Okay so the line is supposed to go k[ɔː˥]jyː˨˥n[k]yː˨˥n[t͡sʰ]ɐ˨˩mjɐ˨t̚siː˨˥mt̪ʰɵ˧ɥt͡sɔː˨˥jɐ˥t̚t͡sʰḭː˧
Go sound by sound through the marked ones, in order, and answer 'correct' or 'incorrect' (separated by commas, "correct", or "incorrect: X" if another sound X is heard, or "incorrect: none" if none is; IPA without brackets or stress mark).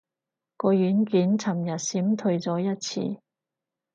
incorrect: ɔː˧, correct, correct